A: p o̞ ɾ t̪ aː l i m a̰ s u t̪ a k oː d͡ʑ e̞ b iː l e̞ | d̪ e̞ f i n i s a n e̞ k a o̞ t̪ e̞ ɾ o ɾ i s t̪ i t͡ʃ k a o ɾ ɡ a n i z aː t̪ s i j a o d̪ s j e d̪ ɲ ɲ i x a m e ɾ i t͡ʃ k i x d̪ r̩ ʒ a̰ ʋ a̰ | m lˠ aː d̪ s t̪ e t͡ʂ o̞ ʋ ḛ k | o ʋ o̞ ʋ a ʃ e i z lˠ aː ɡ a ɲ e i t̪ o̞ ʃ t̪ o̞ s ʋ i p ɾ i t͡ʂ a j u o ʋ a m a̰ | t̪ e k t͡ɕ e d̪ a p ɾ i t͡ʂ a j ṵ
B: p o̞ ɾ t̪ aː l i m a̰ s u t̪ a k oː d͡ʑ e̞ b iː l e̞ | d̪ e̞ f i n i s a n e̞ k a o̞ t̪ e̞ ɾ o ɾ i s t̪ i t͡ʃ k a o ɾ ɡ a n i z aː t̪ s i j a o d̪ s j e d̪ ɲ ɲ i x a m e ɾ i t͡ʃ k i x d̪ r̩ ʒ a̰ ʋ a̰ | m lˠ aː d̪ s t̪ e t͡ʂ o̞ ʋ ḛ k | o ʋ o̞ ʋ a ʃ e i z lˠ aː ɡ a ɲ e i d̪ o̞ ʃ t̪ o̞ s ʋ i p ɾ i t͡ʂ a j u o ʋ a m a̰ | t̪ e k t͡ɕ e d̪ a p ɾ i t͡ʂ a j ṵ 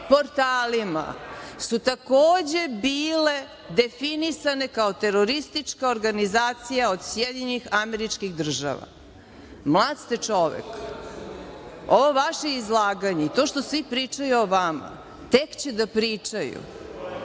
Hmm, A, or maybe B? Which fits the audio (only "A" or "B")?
A